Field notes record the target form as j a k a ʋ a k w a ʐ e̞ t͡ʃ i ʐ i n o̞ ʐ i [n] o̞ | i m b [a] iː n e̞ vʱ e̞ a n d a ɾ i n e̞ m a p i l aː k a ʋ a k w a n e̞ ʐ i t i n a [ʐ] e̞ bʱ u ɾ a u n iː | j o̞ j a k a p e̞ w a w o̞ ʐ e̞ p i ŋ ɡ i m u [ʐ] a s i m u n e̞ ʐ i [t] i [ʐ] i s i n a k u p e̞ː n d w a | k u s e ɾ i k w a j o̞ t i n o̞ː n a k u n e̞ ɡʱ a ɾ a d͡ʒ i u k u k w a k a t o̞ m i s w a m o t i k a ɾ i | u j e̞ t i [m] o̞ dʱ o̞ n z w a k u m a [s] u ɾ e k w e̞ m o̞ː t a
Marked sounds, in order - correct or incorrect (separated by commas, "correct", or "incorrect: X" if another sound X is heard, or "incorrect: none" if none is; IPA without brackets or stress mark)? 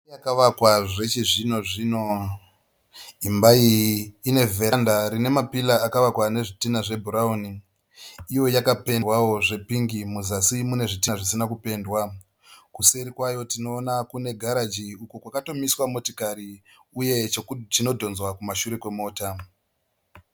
correct, correct, correct, incorrect: z, correct, correct, incorrect: n, incorrect: ʃ